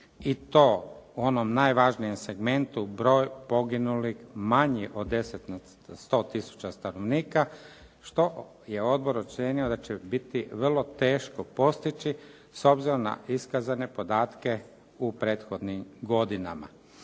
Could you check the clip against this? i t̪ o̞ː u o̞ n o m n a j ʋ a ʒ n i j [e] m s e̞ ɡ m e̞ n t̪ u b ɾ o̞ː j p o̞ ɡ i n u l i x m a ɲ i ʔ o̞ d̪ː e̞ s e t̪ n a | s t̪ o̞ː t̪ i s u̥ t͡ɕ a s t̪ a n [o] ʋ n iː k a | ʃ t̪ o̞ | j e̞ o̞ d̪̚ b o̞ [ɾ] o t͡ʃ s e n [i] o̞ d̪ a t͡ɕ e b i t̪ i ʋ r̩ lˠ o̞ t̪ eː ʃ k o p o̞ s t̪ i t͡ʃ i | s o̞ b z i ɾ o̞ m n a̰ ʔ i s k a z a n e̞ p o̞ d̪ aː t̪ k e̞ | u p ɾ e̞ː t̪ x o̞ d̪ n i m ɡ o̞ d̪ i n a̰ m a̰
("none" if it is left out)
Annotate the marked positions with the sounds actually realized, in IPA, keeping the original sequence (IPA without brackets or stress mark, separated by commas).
e, o, ɾ, i